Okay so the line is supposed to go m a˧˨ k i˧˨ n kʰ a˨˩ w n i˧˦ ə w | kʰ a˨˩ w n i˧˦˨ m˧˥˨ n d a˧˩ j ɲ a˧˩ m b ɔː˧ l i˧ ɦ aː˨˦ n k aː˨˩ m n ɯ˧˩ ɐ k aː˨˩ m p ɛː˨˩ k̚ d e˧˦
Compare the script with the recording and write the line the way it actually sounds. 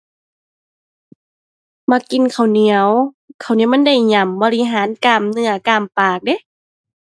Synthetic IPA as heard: m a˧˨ k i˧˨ n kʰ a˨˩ w n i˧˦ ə w | kʰ a˨˩ w n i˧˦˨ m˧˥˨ n d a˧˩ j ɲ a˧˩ m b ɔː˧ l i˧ ɦ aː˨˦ n k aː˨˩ m n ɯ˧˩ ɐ k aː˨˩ m p aː˨˩ k̚ d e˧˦